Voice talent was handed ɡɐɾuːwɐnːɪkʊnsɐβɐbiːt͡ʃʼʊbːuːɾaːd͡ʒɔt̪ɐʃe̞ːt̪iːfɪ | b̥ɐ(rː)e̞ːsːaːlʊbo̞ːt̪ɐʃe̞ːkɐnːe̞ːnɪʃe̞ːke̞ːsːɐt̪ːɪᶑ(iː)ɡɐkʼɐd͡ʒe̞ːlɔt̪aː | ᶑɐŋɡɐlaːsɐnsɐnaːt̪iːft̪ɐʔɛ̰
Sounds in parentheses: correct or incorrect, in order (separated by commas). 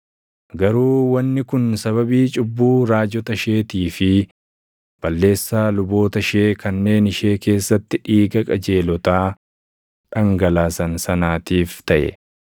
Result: incorrect, correct